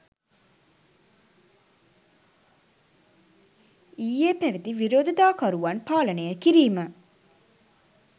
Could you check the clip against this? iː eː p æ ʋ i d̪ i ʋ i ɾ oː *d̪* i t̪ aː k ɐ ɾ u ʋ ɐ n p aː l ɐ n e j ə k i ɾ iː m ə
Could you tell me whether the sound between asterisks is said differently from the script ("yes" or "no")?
no